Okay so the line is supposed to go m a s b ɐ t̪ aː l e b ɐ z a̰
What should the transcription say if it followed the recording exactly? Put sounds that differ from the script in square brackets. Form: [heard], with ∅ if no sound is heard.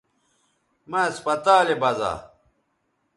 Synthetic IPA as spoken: m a s [p] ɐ t̪ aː l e b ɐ z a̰